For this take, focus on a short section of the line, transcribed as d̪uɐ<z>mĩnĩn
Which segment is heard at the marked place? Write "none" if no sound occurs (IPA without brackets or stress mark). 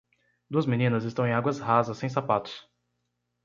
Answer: z